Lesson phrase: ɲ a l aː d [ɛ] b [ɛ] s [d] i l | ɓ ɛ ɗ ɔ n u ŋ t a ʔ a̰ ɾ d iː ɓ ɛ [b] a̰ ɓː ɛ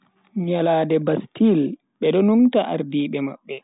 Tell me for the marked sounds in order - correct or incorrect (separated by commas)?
correct, incorrect, incorrect, incorrect